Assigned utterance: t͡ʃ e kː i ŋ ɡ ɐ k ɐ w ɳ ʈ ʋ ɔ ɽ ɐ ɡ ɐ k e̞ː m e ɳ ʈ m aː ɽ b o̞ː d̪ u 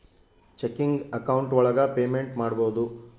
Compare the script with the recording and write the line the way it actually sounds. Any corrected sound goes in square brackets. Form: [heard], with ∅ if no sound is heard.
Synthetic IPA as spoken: t͡ʃ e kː i ŋ ɡ ɐ k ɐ w ɳ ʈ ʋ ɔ [ɭ] ɐ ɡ ɐ [p] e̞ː m e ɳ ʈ m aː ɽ b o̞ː d̪ u